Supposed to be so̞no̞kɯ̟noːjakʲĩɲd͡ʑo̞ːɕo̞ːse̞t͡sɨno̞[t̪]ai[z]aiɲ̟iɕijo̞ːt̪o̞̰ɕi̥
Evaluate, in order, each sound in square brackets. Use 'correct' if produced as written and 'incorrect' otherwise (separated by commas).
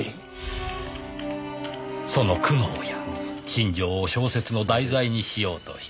incorrect, correct